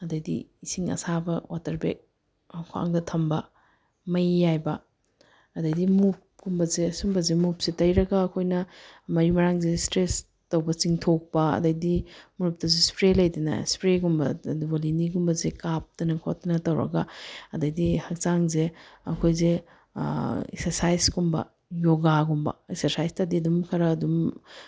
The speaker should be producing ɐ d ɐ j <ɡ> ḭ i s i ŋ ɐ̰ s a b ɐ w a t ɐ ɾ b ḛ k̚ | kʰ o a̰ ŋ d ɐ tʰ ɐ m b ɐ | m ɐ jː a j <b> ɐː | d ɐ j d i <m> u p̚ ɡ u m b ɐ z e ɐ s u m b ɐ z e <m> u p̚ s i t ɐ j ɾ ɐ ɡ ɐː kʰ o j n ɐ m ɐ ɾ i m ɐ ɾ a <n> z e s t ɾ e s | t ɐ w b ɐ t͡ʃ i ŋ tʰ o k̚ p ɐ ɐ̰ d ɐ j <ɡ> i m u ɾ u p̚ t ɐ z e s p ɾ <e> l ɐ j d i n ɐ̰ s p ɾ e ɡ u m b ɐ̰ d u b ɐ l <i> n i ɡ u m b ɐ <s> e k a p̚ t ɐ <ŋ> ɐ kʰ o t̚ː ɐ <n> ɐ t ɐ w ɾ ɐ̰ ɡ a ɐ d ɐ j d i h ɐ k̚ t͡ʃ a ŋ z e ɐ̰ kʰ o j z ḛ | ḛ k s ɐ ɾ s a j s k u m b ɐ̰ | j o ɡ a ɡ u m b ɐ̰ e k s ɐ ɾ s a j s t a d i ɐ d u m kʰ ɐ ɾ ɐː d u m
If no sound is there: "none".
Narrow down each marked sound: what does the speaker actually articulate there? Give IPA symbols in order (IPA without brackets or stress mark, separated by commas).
d, b, m, m, ŋ, d, e, i, z, n, n